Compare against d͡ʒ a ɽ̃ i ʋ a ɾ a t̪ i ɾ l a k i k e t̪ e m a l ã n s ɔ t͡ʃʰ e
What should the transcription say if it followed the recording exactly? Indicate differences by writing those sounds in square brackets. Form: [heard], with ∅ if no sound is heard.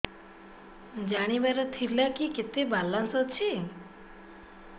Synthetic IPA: d͡ʒ a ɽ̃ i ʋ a ɾ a [t̪ʰ] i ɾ l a k i k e t̪ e [b] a l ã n s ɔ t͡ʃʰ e